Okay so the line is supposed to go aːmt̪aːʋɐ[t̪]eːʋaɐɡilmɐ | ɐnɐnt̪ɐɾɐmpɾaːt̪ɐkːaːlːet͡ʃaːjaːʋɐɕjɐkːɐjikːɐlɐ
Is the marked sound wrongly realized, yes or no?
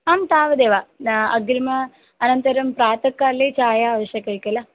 yes